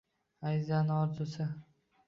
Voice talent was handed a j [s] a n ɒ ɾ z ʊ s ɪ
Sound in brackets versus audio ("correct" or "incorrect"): incorrect